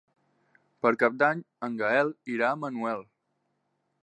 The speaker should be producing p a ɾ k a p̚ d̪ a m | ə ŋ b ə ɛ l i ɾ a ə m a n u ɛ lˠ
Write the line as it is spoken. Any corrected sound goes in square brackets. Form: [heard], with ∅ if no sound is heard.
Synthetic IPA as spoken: p [ə] ɾ k a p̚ d̪ a [ɲ] | ə ŋ [ɡ] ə ɛ l i ɾ a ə m [ə] n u ɛ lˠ